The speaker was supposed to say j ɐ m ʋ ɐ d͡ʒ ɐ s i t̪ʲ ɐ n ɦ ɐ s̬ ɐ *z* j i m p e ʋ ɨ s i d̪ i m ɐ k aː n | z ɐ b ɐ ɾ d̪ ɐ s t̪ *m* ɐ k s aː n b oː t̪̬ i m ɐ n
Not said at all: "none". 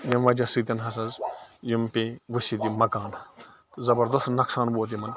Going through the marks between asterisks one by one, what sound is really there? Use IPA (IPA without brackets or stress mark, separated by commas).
z, n